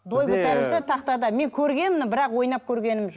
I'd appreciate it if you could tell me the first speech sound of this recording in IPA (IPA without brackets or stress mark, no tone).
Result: d̪